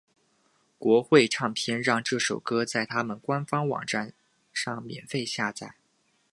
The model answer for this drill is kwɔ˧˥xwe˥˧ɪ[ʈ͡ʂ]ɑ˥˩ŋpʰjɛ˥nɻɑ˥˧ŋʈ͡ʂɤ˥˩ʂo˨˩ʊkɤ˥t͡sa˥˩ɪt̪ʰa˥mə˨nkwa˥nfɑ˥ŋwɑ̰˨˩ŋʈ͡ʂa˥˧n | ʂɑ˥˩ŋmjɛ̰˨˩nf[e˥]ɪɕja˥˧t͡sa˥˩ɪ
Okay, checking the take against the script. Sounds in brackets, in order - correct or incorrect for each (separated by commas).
incorrect, incorrect